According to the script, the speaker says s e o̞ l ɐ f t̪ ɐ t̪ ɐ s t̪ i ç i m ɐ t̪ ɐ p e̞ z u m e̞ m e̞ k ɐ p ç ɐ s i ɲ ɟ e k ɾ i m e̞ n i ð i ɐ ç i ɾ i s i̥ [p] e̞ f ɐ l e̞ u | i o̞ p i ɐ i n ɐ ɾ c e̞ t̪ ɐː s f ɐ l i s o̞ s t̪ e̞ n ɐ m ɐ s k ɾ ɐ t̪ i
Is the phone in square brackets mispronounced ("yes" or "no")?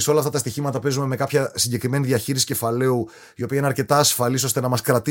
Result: yes